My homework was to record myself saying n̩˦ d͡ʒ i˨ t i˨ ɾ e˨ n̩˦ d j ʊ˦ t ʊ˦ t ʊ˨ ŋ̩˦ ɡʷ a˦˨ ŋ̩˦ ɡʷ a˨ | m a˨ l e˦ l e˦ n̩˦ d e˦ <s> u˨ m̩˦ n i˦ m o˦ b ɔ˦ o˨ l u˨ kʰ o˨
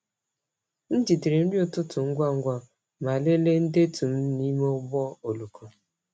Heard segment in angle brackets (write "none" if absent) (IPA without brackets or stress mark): t